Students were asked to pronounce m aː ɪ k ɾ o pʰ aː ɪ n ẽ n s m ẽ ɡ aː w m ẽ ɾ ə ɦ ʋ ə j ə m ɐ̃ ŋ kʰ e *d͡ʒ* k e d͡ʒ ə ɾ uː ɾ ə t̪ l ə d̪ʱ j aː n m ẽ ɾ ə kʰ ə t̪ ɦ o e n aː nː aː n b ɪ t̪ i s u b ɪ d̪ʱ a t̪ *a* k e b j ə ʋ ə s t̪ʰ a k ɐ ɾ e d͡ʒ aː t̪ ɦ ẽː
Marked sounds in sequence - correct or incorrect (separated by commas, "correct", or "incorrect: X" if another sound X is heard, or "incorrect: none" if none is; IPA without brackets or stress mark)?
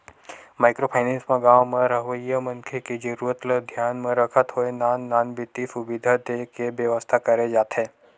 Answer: incorrect: none, incorrect: e